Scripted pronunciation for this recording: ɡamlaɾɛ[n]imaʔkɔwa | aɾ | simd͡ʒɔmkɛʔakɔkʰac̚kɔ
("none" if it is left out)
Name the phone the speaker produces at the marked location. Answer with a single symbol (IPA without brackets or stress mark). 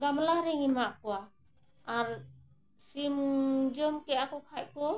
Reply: ŋ